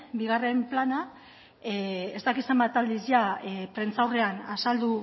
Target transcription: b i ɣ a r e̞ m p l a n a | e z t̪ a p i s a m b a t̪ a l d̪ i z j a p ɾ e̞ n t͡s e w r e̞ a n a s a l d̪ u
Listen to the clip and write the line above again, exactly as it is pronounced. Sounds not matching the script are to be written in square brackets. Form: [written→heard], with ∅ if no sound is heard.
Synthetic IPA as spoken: b i ɣ a r e̞ m p l a n a | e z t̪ a [p→k] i s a m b a t̪ a l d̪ i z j a p ɾ e̞ n t͡s [e→a] w r e̞ a n a s a l d̪ u